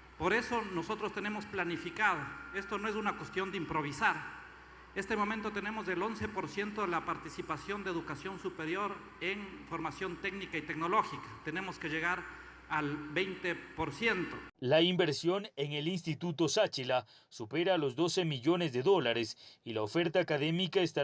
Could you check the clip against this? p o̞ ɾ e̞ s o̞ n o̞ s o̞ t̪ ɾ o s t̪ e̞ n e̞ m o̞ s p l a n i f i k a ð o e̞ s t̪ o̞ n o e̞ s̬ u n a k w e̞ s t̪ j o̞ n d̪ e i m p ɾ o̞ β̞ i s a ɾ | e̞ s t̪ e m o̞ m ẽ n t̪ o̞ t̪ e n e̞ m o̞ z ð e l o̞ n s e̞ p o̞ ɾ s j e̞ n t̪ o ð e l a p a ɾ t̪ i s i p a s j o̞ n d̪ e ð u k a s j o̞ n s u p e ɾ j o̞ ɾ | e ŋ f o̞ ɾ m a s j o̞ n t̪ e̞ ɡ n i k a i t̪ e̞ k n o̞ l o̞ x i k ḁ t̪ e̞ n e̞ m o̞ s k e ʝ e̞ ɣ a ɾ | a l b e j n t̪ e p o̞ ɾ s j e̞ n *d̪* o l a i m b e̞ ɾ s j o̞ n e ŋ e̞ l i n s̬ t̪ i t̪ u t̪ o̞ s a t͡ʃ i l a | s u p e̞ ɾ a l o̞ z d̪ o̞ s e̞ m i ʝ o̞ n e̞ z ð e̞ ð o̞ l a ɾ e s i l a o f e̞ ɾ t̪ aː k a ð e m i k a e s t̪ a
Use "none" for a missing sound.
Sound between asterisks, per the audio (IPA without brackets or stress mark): t̪